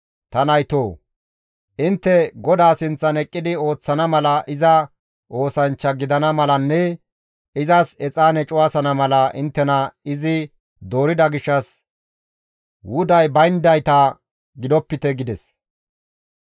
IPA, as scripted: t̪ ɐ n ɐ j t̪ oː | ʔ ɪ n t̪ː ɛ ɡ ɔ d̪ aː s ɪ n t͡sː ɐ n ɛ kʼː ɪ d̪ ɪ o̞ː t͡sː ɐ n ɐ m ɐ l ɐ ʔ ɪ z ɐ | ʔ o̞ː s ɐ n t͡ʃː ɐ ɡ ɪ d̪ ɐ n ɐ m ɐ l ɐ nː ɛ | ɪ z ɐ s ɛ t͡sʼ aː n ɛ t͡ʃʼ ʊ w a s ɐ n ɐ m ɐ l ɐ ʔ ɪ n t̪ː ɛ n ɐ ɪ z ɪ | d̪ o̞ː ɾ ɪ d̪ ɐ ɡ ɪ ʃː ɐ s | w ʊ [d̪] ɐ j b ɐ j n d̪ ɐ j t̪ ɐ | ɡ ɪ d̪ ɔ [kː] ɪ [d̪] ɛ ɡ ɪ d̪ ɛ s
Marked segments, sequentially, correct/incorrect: correct, incorrect: pː, incorrect: t̪

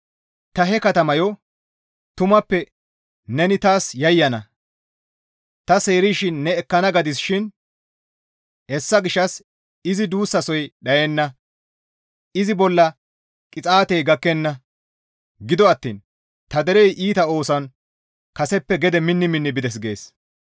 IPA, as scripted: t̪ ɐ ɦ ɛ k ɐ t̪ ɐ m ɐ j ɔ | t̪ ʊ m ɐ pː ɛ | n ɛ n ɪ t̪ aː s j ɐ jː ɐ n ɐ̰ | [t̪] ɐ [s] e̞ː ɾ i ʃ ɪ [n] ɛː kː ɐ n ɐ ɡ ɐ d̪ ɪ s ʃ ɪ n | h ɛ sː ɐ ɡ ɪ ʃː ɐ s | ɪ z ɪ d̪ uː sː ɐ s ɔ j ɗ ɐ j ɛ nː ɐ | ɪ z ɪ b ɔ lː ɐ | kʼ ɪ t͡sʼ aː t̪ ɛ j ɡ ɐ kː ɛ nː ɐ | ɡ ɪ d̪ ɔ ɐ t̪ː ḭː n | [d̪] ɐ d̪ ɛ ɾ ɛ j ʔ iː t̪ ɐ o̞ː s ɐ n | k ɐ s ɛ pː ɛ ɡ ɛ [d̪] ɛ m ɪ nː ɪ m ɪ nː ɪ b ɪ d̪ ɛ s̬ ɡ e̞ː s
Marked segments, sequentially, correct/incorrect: correct, correct, incorrect: nː, incorrect: t̪, correct

